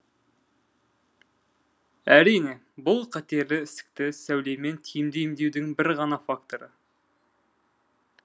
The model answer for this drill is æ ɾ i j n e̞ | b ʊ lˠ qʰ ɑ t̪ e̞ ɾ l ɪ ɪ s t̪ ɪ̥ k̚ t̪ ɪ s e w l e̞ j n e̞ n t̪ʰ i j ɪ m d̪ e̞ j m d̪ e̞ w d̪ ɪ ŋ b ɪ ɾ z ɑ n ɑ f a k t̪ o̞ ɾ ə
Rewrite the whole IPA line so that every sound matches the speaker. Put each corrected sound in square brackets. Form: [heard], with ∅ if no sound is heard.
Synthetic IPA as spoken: æ ɾ i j n e̞ | b ʊ lˠ qʰ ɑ t̪ e̞ ɾ l ɪ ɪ s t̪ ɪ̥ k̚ t̪ ɪ s [æ] w l e̞ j [m] e̞ n t̪ʰ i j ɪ m d̪ e̞ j m d̪ e̞ w d̪ ɪ ŋ b ɪ ɾ [ʁ] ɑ n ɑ f a k t̪ o̞ ɾ ə